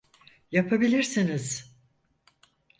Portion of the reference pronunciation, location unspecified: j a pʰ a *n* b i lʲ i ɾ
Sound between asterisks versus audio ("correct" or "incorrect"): incorrect